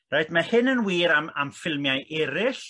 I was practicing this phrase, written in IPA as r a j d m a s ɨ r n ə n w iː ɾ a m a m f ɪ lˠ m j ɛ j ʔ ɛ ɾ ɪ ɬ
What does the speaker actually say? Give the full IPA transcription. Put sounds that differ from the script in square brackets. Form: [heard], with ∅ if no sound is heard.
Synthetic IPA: r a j d m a [h] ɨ [∅] n ə n w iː ɾ a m a m f ɪ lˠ m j [a] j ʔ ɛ ɾ ɪ ɬ